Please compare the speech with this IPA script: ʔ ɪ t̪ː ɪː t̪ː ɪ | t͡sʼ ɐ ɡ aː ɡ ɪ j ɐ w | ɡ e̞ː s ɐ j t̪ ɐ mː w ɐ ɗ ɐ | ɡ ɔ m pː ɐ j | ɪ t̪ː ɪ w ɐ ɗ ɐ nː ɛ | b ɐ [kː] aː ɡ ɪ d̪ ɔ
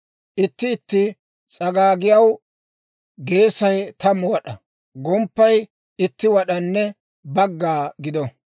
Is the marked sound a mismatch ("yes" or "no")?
yes